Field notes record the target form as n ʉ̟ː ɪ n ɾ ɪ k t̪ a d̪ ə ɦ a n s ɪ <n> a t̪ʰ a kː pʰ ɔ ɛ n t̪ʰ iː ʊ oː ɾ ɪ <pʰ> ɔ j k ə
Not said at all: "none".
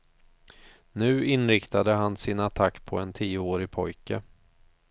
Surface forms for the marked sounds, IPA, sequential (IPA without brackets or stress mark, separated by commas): n, pʰ